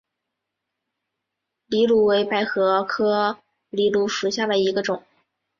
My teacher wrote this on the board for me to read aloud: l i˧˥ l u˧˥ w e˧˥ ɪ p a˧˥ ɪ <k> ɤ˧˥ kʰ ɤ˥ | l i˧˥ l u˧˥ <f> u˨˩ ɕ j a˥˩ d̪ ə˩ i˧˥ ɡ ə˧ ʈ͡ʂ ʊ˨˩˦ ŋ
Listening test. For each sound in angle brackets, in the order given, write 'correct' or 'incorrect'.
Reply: incorrect: x, incorrect: ʂ

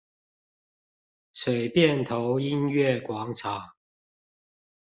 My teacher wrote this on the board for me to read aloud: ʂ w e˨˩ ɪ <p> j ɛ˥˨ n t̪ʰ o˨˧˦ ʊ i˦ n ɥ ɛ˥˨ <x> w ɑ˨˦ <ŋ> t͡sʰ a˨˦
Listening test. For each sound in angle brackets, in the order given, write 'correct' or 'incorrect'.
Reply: correct, incorrect: k, correct

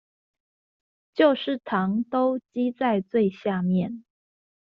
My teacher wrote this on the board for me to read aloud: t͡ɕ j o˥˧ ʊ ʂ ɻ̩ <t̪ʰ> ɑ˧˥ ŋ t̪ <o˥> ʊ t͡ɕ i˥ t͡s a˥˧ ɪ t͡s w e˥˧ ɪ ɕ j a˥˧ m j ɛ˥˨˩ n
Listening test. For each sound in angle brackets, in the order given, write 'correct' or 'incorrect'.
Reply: correct, correct

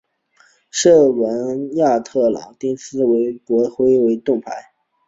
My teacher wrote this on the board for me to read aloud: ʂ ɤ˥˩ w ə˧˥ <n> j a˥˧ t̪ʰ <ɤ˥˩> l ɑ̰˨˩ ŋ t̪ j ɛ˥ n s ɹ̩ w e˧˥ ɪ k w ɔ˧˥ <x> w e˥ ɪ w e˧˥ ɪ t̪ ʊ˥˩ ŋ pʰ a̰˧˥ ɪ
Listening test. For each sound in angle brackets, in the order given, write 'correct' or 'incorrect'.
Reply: correct, correct, correct

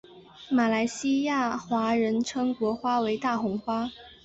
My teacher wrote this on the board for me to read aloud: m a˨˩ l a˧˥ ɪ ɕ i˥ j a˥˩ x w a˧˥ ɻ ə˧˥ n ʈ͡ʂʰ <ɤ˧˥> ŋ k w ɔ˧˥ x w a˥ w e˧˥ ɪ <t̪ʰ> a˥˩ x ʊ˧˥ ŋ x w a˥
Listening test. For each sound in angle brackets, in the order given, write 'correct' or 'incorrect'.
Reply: incorrect: ɤ˥, incorrect: t̪

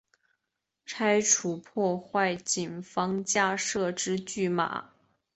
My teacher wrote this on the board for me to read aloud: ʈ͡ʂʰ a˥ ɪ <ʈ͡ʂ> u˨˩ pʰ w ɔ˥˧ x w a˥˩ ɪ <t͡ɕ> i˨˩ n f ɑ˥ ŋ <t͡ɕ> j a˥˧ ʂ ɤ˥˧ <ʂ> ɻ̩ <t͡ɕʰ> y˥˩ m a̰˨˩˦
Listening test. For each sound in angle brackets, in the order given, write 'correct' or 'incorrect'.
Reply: incorrect: ʈ͡ʂʰ, correct, correct, incorrect: ʈ͡ʂ, incorrect: t͡ɕ

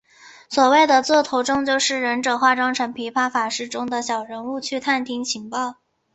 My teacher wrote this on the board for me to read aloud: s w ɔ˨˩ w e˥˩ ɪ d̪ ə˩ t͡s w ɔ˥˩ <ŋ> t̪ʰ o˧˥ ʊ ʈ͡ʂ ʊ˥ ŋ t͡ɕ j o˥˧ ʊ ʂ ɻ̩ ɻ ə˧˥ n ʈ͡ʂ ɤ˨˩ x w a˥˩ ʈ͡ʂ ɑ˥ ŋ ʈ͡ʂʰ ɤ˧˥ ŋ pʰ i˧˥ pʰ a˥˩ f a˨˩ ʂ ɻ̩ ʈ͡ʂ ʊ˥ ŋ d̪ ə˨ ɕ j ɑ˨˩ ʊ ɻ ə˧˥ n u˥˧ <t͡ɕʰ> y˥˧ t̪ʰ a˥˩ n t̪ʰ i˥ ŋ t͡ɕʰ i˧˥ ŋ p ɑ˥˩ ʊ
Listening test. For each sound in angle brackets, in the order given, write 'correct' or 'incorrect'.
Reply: incorrect: none, correct

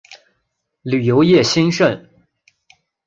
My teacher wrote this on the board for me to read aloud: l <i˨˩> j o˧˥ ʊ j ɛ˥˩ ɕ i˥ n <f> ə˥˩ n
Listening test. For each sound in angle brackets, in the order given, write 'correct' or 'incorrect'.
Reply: incorrect: y˨˩, incorrect: ʂ

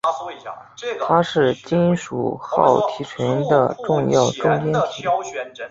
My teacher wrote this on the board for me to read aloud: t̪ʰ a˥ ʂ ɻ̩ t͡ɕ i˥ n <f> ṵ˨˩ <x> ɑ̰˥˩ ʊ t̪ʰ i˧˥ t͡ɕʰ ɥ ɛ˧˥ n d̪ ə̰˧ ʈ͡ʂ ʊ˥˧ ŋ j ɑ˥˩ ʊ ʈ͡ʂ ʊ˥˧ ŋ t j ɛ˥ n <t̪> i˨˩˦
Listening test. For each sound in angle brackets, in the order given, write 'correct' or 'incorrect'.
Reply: incorrect: ʂ, correct, incorrect: t̪ʰ

